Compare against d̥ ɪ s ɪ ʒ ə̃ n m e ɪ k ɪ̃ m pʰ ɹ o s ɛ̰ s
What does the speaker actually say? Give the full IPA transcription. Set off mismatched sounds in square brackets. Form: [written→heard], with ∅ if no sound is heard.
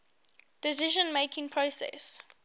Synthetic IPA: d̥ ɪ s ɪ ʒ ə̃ n m e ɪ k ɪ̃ [m→ŋ] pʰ ɹ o s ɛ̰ s